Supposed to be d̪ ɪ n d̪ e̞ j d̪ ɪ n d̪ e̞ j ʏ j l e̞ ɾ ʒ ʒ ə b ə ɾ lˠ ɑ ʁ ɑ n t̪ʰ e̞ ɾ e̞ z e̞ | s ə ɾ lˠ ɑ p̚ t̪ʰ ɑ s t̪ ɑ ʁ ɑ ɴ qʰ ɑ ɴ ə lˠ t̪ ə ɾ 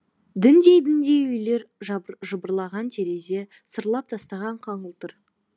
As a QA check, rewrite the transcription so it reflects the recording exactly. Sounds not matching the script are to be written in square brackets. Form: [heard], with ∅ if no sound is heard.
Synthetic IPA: d̪ ɪ n d̪ e̞ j d̪ ɪ n d̪ e̞ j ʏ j l e̞ ɾ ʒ ʒ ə b ə ɾ lˠ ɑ ʁ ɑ n t̪ʰ e̞ ɾ e̞ z e̞ | s ə ɾ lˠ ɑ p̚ t̪ʰ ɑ s t̪ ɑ ʁ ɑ ɴ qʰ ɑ ɴ ə lˠ t̪ ə ɾ